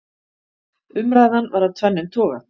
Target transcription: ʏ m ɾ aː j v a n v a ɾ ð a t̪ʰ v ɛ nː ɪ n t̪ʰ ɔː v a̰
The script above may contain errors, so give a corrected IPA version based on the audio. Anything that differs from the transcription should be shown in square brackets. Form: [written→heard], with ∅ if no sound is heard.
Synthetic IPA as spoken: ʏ m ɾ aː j [v→ð] a n v a ɾ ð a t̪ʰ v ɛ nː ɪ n t̪ʰ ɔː [v→ɣ] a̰

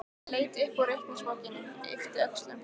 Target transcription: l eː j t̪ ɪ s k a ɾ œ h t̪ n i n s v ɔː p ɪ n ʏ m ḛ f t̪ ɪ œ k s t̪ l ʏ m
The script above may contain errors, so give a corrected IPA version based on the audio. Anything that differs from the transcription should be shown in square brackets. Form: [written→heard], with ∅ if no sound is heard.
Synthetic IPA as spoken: l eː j t̪ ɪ [s→h] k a ɾ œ h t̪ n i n s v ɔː [p→c] ɪ n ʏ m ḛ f t̪ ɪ œ k s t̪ l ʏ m

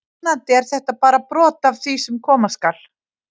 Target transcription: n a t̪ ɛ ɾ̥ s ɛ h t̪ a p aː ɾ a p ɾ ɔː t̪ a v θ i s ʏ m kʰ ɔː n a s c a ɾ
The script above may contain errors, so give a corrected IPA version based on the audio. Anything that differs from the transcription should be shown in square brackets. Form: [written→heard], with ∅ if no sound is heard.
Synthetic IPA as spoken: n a t̪ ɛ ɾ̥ [s→θ] ɛ h t̪ a p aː ɾ a p ɾ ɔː t̪ a v θ i s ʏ m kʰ ɔː [n→m] a s [c→k] a [ɾ→l]

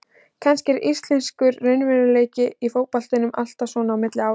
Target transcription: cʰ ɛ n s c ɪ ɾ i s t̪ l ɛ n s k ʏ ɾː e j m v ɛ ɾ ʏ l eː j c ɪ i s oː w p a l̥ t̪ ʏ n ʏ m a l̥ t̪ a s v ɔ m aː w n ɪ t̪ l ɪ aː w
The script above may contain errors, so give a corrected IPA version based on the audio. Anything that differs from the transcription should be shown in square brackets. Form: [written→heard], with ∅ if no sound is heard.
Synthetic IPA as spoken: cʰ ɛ n s c ɪ ɾ i s t̪ l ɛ n s k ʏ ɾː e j [m→n] v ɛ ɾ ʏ l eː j c ɪ i [s→f] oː w p a l̥ t̪ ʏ n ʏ m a l̥ t̪ a s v ɔ [m→n] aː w [n→m] ɪ t̪ l ɪ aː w

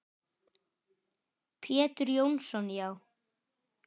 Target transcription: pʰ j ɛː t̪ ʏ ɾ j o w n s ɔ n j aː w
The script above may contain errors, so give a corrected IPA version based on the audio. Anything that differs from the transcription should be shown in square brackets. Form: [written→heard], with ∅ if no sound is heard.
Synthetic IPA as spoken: pʰ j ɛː t̪ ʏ ɾ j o w n s ɔ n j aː w

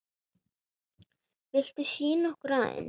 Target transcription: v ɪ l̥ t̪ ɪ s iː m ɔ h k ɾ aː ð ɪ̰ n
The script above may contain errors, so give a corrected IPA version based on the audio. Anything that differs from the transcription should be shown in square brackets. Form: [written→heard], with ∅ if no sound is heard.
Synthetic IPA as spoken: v ɪ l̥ t̪ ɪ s iː [m→n] ɔ h k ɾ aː ð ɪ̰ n

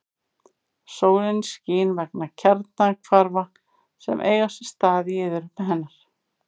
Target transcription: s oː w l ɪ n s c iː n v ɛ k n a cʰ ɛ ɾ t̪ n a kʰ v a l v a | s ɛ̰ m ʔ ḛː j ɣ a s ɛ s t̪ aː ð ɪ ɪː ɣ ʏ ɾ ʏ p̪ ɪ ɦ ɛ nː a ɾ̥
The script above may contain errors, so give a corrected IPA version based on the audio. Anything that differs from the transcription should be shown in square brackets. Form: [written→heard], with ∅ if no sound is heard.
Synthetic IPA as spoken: s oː w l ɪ n s c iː n v ɛ k n a cʰ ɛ ɾ t̪ n a kʰ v a [l→ɾ] v a | s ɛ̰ m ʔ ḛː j ɣ a s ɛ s t̪ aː ð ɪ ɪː [ɣ→ð] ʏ ɾ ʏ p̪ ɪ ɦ ɛ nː a ɾ̥

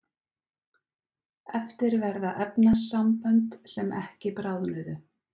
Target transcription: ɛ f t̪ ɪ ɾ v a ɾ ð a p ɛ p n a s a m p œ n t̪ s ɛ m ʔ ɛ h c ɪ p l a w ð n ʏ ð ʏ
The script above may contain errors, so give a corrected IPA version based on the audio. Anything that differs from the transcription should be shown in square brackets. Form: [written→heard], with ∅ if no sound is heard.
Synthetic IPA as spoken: ɛ f t̪ ɪ ɾ v [a→ɛ] ɾ ð a [p→ʔ] ɛ p n a s a m p œ n t̪ s ɛ m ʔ ɛ h c ɪ p [l→ɾ] a w ð n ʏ ð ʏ

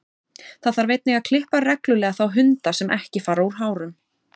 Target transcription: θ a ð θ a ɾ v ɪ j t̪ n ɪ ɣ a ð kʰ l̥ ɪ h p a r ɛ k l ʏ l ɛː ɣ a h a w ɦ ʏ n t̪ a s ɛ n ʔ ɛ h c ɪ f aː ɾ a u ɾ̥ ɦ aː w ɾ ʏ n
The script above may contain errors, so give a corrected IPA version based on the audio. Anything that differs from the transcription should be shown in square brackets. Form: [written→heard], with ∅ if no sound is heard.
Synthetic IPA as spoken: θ a ð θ a ɾ v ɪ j t̪ n ɪ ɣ a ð kʰ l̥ ɪ h p a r ɛ k l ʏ l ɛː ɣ a [h→θ] a w ɦ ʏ n t̪ a s ɛ [n→m] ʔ ɛ h c ɪ f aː ɾ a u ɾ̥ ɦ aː w ɾ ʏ [n→m]

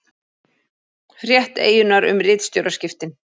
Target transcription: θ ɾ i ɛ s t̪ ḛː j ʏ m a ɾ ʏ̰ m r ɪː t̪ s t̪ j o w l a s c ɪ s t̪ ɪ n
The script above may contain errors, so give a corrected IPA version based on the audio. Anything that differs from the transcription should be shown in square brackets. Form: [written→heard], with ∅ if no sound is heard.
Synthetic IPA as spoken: [θ→f] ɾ [i→j] ɛ [s→h] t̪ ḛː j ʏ [m→n] a ɾ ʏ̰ m r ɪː t̪ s t̪ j o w [l→ɾ] a s c ɪ [s→f] t̪ ɪ n

